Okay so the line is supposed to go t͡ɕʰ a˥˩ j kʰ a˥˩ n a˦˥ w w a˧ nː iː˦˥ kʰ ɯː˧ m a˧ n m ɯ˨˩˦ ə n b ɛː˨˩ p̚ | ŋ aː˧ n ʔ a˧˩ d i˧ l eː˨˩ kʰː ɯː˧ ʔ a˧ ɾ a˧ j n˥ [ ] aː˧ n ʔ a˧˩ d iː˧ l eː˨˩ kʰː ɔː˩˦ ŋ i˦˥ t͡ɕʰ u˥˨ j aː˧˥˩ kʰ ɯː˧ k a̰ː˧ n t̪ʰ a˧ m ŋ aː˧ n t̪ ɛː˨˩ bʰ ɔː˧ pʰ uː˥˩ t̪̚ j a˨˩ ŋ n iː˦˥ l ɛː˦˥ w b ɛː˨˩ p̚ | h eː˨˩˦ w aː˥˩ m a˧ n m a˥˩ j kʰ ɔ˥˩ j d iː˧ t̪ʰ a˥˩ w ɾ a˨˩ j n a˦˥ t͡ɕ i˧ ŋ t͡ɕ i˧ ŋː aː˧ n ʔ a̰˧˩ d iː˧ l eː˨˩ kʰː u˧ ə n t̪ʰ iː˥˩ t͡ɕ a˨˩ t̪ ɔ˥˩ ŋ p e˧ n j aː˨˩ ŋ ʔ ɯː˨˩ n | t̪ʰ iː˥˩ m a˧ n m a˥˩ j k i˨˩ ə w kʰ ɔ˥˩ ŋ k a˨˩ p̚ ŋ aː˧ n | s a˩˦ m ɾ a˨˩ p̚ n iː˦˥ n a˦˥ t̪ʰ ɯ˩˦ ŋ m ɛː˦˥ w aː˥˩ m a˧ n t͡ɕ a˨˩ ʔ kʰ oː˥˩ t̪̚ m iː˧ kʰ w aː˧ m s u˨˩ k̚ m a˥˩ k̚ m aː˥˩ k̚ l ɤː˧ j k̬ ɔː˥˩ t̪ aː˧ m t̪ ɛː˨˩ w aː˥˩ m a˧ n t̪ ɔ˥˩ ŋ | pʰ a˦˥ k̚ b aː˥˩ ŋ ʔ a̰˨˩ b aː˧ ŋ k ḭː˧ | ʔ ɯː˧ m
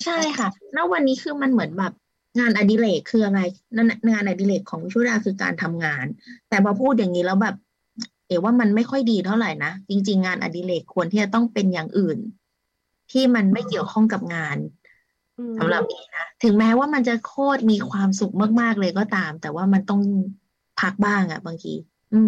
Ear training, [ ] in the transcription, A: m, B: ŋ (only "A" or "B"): B